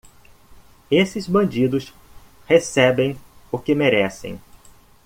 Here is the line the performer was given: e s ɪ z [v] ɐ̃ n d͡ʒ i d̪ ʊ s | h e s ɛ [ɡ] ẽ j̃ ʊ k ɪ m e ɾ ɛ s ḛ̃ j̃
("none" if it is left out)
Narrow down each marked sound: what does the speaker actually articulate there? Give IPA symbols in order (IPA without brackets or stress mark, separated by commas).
b, b